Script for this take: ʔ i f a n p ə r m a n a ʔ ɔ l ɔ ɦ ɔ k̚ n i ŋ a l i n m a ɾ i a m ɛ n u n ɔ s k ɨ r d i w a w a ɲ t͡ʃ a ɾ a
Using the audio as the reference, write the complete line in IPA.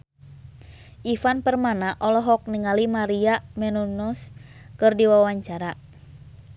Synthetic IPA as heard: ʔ i f a n p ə r m a n a ʔ ɔ l ɔ ɦ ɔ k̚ n i ŋ a l i m a ɾ i a m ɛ n u n ɔ s k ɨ r d i w a w a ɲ t͡ʃ a ɾ a